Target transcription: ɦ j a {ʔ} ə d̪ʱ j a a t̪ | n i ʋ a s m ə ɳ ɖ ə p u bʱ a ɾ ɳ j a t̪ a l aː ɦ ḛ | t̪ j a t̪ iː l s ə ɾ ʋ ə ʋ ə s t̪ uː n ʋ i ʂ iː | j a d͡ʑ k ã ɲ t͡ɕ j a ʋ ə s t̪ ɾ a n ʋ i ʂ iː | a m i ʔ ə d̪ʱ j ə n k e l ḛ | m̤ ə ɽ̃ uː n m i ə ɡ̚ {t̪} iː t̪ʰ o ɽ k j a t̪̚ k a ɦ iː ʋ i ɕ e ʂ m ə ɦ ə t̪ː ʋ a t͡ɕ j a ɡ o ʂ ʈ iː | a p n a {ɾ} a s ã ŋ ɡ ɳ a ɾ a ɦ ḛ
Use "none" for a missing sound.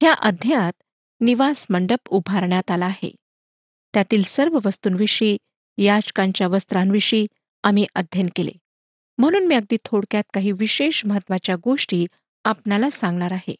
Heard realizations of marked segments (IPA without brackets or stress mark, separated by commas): ʔ, d̪, l